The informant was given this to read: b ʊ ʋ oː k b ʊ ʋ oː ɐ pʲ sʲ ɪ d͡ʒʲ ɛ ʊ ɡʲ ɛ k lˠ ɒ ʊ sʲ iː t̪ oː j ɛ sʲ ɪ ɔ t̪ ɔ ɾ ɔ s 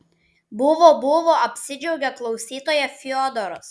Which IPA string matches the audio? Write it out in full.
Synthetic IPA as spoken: b ʊ ʋ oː b ʊ ʋ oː ɐ pʲ sʲ ɪ d͡ʒʲ ɛ ʊ ɡʲ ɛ k lˠ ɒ ʊ sʲ iː t̪ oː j ɛ fʲ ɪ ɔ d̪ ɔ ɾ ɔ s